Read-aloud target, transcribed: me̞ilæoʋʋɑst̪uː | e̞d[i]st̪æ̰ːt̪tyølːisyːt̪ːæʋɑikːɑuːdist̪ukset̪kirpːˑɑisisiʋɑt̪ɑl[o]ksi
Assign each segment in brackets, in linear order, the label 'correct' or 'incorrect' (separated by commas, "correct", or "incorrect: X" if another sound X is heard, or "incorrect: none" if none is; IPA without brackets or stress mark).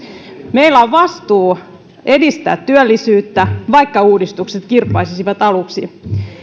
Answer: correct, incorrect: u